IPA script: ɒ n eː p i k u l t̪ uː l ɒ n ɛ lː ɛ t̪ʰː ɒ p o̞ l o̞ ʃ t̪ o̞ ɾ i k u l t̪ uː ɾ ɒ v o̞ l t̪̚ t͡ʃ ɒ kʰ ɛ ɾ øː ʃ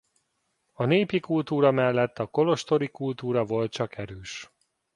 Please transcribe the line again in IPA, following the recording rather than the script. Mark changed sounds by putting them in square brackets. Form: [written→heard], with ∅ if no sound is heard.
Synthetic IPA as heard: ɒ n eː p i k u l t̪ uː [l→ɾ] ɒ [n→m] ɛ lː ɛ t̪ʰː ɒ [p→k] o̞ l o̞ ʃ t̪ o̞ ɾ i k u l t̪ uː ɾ ɒ v o̞ l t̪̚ t͡ʃ ɒ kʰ ɛ ɾ øː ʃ